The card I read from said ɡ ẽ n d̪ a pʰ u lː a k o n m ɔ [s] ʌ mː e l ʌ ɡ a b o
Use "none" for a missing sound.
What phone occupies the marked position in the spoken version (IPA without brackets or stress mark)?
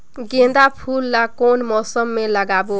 s